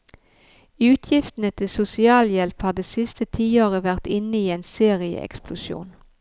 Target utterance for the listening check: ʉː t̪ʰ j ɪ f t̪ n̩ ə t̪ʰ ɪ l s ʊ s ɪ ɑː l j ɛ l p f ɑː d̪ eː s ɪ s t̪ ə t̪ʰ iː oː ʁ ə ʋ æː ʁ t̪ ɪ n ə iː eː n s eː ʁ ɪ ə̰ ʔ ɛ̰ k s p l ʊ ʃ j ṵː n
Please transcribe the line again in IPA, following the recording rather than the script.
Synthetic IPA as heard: ʉː t̪ʰ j ɪ f t̪ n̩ ə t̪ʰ ɪ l s ʊ s ɪ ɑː l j ɛ l p h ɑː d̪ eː s ɪ s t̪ ə t̪ʰ iː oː ʁ ə ʋ æ ʁ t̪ ɪ n ə iː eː n s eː ʁ ɪ ə̰ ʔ ɛ̰ k s p l ʊ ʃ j ṵː n